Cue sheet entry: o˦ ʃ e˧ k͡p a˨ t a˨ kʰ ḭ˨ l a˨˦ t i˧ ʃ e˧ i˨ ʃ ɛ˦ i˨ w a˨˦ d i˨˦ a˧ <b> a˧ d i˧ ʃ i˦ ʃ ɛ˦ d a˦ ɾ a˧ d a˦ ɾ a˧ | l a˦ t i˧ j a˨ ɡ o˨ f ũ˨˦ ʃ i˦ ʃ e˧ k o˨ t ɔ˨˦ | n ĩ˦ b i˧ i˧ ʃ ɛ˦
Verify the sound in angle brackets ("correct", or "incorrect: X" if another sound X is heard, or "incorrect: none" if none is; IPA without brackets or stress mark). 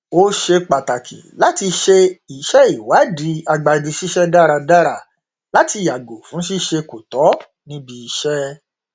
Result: incorrect: ɡ͡b